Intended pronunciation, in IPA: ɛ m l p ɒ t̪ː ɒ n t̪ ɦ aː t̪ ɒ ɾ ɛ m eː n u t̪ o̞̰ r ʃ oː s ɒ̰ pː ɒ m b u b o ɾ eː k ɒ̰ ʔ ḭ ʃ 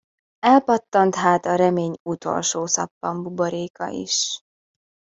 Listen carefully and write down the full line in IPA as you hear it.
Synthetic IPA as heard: ɛ l p ɒ t̪ː ɒ n t̪ ɦ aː t̪ ɒ ɾ ɛ m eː ɲ u t̪ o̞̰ l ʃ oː s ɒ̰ pː ɒ m b u b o ɾ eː k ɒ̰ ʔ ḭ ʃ

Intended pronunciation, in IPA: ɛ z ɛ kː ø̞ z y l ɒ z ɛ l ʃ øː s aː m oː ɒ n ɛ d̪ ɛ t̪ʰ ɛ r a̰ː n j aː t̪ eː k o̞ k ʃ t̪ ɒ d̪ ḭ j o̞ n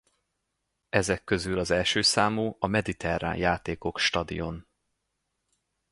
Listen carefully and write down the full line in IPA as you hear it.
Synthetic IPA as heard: ɛ z ɛ kː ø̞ z y l ɒ z ɛ l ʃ øː s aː m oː ɒ m ɛ d̪ i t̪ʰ ɛ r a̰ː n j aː t̪ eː k o̞ k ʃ t̪ ɒ d̪ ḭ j o̞ n

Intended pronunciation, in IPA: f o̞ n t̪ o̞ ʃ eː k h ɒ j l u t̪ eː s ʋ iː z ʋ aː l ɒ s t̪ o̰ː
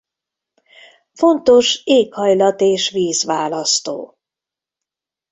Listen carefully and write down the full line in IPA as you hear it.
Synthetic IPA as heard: f o̞ n t̪ o̞ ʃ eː k h ɒ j l ɒ t̪ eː ʃ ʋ iː z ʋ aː l ɒ s t̪ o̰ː

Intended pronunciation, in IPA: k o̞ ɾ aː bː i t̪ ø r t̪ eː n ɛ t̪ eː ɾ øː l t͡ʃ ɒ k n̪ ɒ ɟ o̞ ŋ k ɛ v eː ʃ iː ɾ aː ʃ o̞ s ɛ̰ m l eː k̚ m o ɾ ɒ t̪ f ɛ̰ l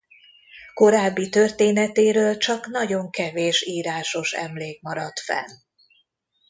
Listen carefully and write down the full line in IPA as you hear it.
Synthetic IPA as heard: k o̞ ɾ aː bː i t̪ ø r t̪ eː n ɛ t̪ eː ɾ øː l t͡ʃ ɒ k n̪ ɒ ɟ o̞ ŋ k ɛ v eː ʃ iː ɾ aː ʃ o̞ ʃ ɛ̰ m l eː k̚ m ɒ ɾ ɒ t̪ f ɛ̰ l

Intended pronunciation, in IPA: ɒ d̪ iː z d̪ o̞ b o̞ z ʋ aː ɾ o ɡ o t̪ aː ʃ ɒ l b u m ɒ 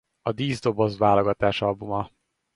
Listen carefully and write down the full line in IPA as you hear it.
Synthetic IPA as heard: ɒ d̪ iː z d̪ o̞ b o̞ z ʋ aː l o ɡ ɒ t̪ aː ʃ ɒ l b u m ɒ

